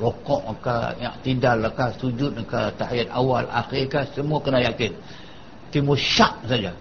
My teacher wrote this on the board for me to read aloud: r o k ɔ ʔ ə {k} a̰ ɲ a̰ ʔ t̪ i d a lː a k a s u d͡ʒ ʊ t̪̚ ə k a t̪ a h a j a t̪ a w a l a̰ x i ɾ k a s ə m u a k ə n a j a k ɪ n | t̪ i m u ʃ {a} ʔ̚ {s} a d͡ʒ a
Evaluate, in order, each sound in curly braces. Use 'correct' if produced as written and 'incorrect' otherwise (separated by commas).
correct, correct, correct